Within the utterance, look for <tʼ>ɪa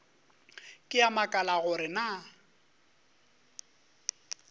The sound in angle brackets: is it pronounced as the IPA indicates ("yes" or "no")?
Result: no